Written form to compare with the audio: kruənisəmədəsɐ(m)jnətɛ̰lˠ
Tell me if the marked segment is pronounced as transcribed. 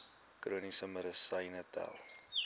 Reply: no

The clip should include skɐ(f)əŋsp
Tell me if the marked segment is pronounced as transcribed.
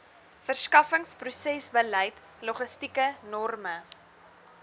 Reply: yes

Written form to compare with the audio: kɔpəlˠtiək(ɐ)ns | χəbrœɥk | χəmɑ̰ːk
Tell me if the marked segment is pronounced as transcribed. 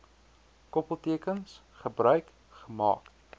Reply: no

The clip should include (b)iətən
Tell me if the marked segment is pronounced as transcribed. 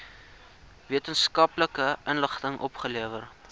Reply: no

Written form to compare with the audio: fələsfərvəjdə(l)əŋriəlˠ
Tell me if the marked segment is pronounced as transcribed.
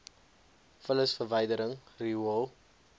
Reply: no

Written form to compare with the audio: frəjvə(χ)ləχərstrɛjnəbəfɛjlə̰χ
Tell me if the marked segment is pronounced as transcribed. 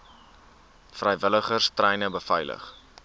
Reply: no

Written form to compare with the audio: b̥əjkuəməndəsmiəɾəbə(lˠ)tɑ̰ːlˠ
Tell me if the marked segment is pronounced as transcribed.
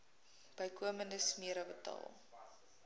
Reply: no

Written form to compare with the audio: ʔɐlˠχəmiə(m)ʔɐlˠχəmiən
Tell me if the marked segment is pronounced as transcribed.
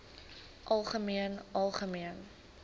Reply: no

